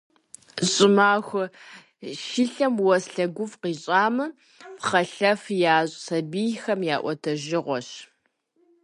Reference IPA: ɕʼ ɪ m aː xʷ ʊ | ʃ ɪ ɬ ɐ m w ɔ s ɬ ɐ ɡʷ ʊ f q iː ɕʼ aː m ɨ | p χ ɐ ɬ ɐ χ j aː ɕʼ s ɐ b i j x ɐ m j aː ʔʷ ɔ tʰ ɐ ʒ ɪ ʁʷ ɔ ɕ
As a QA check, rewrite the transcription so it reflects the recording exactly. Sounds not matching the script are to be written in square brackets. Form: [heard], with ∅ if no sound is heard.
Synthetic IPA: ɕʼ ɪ m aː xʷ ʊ | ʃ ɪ ɬ ɐ m w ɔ s ɬ ɐ ɡʷ ʊ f q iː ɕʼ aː m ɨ | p χ ɐ ɬ ɐ [f] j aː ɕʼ s ɐ b i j x ɐ m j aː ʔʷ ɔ tʰ ɐ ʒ ɪ ʁʷ ɔ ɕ